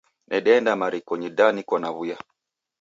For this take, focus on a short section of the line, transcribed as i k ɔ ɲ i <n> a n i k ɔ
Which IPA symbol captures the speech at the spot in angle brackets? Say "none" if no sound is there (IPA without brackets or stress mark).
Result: d